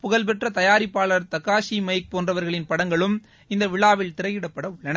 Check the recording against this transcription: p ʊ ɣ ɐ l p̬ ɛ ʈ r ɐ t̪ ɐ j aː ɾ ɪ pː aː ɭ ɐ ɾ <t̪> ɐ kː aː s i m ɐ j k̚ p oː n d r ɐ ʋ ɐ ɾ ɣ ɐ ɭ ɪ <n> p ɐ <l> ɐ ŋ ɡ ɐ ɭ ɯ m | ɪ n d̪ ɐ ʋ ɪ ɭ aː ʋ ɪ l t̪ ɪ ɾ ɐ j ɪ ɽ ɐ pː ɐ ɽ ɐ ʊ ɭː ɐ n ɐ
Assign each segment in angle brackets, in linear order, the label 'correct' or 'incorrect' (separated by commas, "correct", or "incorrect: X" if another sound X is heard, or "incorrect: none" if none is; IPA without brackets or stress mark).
correct, correct, incorrect: ɽ